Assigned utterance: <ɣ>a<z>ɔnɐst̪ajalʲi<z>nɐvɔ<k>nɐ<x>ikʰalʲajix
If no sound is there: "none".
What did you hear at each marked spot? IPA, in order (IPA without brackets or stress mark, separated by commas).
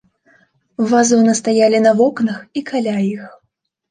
v, z, none, k, x